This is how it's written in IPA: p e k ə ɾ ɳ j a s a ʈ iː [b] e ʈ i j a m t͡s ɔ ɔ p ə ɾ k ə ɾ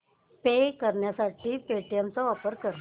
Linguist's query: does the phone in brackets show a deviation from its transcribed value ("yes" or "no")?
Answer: yes